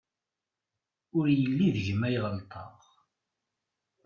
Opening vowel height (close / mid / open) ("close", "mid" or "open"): close